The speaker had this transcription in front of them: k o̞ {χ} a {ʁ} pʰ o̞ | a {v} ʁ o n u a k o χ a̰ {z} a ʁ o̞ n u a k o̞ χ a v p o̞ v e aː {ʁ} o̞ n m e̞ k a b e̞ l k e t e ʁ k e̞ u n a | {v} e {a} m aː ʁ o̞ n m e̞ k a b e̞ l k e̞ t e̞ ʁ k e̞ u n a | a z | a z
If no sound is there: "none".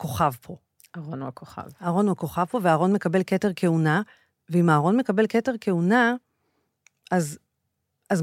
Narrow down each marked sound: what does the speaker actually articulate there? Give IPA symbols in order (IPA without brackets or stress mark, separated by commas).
χ, v, none, v, ʁ, v, i